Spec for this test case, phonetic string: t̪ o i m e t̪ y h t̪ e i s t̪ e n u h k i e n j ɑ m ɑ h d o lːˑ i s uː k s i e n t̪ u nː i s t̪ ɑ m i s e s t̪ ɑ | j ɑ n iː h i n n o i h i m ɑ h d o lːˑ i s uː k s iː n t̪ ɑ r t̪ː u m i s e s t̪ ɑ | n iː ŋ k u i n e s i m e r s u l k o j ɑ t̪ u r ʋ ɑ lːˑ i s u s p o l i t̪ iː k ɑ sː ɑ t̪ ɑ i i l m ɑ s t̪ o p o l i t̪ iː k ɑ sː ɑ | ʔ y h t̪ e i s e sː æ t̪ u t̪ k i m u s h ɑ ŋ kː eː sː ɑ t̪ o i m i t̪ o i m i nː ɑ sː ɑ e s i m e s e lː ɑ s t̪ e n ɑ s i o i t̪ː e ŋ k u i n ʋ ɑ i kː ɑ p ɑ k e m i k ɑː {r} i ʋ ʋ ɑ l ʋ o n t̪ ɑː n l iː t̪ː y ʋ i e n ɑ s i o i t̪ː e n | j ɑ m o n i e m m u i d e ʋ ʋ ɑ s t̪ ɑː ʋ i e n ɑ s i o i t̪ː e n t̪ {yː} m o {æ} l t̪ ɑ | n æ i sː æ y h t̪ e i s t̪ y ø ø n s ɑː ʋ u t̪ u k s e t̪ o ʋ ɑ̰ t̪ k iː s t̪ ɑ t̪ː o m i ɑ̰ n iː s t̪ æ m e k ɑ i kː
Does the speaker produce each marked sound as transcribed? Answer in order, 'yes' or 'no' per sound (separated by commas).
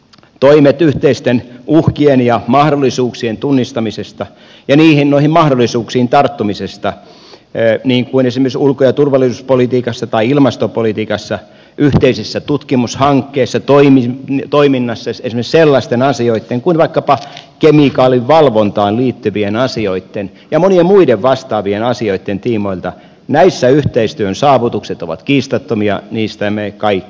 no, no, no